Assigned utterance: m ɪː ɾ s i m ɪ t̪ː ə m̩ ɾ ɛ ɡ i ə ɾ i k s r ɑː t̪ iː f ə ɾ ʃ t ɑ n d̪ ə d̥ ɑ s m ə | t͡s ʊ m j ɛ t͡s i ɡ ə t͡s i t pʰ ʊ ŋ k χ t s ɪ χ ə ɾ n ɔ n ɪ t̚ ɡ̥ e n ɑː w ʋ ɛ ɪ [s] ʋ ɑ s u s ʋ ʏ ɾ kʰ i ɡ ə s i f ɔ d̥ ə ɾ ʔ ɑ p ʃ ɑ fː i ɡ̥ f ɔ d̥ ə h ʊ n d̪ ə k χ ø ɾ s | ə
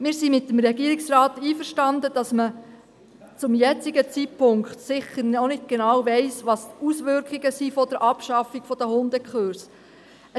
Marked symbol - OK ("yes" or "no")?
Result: yes